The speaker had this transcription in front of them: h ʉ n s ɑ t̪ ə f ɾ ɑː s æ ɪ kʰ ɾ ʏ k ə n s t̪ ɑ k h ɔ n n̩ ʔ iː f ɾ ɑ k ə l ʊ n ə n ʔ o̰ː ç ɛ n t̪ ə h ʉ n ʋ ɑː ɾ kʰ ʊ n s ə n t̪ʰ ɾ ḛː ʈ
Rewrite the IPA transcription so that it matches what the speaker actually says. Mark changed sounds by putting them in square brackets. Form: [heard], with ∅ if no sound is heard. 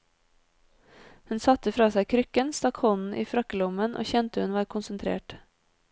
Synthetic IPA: h ʉ n s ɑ t̪ ə f ɾ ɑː s æ ɪ kʰ ɾ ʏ k ə n s t̪ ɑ k h ɔ n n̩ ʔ iː f ɾ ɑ k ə l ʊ [m] ə n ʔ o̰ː ç ɛ n t̪ ə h ʉ n ʋ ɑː ɾ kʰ ʊ n s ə n t̪ʰ ɾ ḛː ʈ